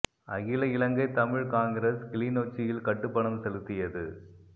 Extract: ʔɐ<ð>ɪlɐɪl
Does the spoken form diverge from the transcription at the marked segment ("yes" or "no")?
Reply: yes